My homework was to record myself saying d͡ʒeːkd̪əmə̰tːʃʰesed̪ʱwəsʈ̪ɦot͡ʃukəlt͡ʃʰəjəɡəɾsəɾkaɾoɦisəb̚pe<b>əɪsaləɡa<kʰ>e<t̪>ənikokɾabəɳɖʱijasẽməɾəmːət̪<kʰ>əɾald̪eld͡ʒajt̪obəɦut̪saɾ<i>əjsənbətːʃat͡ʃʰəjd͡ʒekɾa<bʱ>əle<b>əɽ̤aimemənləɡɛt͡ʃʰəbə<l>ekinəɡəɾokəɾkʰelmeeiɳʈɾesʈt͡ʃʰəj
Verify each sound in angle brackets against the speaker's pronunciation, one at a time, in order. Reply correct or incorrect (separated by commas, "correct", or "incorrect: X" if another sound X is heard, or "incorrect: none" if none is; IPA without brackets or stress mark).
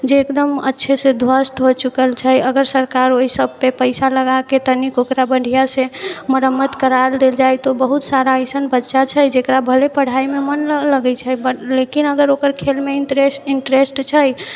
incorrect: p, incorrect: k, correct, incorrect: k, incorrect: a, correct, incorrect: p, correct